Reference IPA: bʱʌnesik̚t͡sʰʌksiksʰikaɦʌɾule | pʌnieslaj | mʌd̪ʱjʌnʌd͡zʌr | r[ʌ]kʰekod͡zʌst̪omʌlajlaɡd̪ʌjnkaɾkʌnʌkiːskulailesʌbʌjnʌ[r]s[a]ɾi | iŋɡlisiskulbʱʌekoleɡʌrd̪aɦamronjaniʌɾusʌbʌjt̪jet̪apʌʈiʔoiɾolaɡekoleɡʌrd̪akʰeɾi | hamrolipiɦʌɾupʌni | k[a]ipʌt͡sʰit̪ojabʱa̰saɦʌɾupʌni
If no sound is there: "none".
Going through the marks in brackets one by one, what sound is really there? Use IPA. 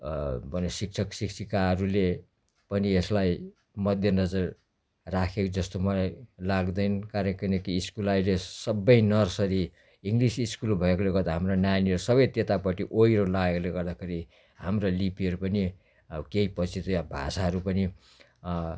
a, r, ʌ, e

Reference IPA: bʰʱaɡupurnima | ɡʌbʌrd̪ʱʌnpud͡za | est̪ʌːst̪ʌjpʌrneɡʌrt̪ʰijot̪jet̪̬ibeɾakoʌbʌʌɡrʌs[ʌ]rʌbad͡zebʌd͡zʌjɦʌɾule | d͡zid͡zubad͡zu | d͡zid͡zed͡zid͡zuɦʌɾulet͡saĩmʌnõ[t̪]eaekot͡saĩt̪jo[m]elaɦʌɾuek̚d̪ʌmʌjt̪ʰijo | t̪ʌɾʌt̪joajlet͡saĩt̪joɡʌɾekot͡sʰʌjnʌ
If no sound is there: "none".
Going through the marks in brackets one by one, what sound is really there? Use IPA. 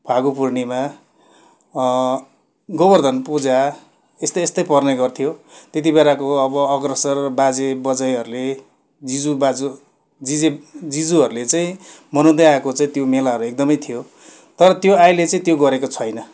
ʌ, d̪, m

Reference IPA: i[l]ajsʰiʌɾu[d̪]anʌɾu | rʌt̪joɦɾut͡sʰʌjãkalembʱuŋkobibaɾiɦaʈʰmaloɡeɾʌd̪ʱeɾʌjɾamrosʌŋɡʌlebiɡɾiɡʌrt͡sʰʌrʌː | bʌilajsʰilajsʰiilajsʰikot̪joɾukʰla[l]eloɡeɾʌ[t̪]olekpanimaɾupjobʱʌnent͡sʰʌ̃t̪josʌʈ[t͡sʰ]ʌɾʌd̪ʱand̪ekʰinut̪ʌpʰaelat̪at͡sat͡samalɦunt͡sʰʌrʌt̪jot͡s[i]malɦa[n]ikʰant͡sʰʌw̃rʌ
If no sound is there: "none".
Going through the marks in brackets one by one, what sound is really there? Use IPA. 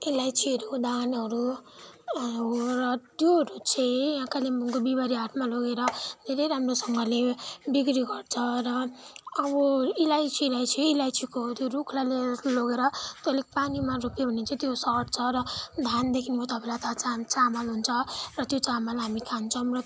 l, d̪, l, t̪, t͡sʰ, a, m

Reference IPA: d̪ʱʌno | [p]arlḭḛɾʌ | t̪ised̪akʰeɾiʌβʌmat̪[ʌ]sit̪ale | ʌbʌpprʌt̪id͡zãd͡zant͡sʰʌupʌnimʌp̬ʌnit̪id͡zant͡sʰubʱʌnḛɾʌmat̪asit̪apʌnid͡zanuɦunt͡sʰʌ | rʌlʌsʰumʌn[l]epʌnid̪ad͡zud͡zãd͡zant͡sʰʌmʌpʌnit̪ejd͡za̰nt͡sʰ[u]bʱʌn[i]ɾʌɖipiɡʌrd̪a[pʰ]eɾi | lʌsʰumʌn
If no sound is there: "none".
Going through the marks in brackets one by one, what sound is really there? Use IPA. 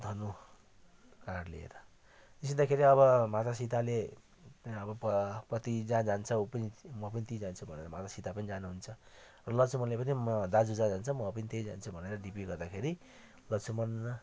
k, a, l, u, e, kʰ

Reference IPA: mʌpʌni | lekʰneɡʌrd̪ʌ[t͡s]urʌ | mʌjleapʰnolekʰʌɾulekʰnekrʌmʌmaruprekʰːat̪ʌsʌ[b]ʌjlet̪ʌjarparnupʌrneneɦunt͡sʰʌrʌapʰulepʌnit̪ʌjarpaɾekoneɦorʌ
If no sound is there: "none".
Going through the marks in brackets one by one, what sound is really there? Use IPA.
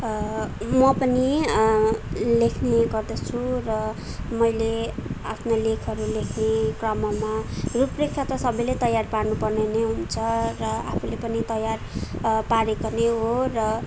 t͡sʰ, b

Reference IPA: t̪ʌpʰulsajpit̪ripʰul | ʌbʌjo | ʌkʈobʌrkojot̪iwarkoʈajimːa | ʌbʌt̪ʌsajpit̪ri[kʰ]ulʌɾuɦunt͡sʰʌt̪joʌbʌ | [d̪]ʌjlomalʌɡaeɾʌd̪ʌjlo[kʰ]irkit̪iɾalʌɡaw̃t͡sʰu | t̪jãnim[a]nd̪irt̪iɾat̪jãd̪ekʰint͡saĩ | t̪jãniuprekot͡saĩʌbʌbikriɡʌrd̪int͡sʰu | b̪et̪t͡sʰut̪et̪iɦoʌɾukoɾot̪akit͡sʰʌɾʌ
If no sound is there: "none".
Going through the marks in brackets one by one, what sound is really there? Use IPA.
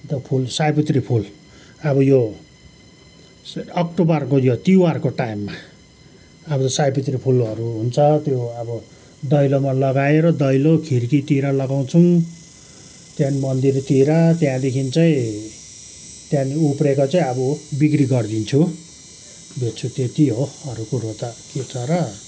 pʰ, d̪, kʰ, ʌ

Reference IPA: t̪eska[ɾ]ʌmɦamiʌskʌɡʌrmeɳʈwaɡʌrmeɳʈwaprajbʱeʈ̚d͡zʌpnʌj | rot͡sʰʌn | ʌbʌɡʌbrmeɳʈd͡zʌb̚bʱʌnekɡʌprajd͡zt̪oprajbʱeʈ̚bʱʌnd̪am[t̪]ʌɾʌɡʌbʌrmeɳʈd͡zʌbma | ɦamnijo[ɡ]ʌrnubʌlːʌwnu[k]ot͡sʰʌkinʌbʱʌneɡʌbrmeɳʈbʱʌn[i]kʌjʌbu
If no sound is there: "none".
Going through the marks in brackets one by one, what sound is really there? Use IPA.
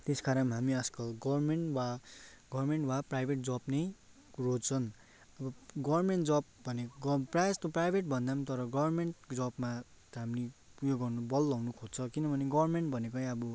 ɾ, t̪, ɡ, kʰ, e

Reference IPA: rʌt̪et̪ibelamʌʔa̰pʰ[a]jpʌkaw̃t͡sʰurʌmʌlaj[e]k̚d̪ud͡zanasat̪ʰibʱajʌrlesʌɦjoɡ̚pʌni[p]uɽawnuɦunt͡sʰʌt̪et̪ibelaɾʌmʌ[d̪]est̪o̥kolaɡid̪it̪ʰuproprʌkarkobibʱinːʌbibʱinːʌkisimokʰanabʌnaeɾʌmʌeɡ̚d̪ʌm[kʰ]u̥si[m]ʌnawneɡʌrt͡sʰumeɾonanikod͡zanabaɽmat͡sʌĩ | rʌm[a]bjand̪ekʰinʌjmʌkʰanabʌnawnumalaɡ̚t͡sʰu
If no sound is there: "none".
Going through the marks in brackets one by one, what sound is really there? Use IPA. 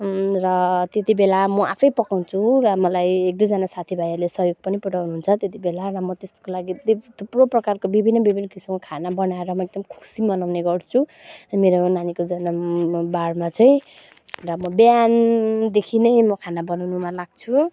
ʌ, e, p, t̪, kʰ, m, ʌ

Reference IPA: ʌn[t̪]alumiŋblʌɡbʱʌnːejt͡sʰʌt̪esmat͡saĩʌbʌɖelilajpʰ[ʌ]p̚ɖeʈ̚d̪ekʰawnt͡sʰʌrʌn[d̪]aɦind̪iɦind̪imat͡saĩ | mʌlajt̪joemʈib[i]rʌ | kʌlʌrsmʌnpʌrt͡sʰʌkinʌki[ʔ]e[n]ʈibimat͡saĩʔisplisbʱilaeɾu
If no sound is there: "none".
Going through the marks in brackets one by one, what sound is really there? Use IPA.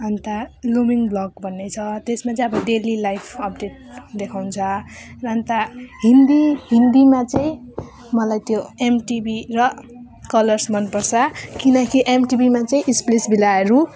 t̪, ʌ, t̪, i, ʔ, m

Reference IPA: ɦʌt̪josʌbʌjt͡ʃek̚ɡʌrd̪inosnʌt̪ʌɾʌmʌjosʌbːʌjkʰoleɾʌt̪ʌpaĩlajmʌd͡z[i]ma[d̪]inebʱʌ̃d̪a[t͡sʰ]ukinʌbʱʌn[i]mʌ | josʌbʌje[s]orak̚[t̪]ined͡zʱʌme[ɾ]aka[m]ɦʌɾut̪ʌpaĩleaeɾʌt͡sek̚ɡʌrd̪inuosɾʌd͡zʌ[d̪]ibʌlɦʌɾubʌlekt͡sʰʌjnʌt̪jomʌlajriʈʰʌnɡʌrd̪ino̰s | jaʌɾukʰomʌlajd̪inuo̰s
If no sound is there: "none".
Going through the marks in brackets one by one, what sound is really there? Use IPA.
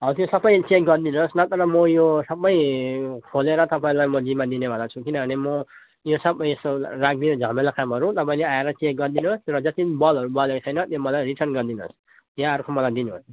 i, d̪, t͡sʰ, e, s, d̪, l, m, t̪

